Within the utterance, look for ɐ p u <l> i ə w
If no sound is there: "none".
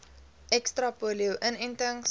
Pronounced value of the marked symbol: l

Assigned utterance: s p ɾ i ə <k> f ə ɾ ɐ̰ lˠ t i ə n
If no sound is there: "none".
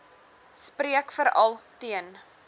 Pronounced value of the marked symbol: k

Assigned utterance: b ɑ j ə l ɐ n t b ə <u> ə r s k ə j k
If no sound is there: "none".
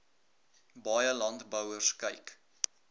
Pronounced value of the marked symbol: w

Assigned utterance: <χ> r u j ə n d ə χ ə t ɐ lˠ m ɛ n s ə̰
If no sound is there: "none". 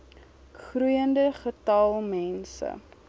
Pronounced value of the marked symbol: χ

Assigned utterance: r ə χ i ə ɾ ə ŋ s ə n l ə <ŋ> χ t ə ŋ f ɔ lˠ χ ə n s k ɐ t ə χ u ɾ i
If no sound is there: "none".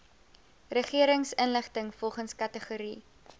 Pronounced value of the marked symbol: none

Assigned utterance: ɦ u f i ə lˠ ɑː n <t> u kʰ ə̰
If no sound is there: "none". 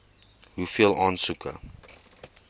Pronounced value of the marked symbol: s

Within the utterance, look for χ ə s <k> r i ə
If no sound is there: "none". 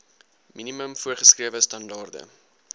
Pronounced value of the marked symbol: k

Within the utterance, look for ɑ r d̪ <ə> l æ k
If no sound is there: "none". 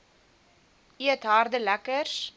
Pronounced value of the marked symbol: ə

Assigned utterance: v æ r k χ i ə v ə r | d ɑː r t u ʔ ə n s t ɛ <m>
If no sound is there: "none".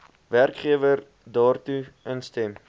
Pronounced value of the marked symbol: m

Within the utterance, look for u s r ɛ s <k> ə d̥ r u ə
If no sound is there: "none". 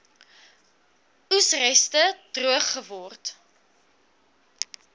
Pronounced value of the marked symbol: t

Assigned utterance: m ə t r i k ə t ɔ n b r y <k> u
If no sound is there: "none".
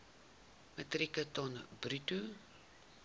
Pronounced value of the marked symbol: t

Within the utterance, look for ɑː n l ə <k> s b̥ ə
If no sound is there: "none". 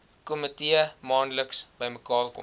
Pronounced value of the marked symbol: k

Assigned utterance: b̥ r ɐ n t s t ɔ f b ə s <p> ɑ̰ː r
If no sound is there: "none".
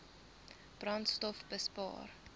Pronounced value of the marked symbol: p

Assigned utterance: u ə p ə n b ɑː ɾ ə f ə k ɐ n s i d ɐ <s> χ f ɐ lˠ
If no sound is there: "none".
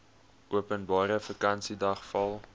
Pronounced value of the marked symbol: none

